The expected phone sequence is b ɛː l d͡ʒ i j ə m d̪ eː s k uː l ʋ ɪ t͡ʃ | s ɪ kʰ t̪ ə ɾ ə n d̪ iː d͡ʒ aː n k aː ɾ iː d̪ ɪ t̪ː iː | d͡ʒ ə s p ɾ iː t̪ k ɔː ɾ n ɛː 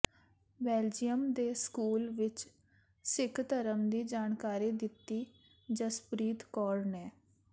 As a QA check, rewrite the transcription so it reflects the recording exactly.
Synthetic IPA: b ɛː l d͡ʒ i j ə m d̪ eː s k uː l ʋ ɪ t͡ʃ | s ɪ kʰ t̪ ə ɾ ə m d̪ iː d͡ʒ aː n k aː ɾ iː d̪ ɪ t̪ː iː | d͡ʒ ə s p ɾ iː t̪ k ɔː ɾ n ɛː